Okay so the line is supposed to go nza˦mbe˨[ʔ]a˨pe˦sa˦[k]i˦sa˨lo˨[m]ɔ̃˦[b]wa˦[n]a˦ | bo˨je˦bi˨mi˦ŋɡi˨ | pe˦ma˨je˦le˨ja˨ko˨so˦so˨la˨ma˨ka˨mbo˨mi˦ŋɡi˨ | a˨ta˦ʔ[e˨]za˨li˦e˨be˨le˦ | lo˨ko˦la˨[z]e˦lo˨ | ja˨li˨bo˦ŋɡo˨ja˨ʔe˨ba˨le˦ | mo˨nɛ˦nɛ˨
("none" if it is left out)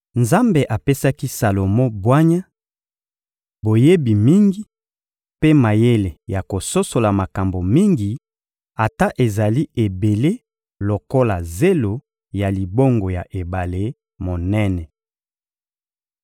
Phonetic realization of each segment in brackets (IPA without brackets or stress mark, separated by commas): ʔ, k, m, b, ɲ, e˨, z